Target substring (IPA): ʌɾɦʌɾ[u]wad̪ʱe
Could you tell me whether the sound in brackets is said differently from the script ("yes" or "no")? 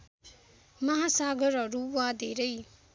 no